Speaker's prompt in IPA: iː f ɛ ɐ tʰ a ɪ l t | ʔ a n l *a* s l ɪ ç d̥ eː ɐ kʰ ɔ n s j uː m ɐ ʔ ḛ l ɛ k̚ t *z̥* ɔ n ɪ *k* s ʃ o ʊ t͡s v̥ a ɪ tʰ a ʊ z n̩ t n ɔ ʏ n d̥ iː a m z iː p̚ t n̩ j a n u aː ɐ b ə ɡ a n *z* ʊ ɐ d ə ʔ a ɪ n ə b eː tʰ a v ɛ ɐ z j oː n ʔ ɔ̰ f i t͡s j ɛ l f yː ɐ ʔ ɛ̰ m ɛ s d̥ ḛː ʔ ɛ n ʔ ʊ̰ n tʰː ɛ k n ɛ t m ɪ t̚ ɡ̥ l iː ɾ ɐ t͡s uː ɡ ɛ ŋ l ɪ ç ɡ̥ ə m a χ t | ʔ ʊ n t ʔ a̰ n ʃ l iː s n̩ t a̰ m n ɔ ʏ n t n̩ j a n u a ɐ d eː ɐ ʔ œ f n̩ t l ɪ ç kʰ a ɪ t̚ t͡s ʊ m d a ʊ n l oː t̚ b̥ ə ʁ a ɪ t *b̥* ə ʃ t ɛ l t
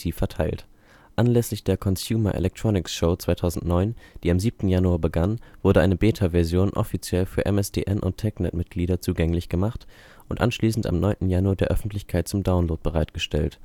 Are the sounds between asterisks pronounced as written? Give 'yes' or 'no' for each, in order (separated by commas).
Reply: no, no, yes, no, no